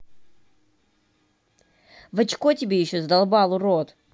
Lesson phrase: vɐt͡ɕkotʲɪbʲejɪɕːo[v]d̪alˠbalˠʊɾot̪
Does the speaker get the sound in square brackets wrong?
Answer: yes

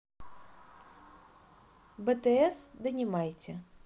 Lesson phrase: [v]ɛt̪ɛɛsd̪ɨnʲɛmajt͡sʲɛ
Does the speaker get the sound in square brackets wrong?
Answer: yes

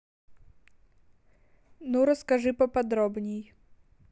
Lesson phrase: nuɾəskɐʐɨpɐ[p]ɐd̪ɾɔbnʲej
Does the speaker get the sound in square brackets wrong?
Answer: no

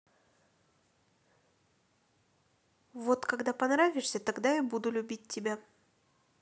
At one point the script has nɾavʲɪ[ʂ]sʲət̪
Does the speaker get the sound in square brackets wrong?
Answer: no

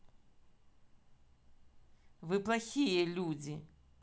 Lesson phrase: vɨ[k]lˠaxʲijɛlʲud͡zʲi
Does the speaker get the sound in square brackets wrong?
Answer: yes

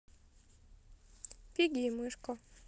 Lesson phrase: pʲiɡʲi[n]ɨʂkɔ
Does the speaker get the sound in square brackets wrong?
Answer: yes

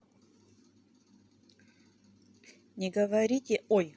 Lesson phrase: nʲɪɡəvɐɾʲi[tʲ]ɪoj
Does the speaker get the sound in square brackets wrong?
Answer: no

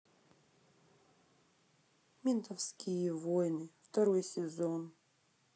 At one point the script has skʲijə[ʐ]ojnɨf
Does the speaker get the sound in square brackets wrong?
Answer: yes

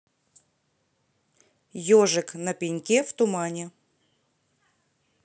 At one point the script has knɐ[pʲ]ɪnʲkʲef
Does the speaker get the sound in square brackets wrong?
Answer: no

